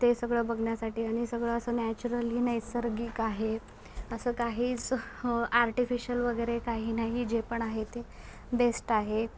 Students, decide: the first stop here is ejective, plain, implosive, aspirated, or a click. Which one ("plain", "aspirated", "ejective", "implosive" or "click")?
plain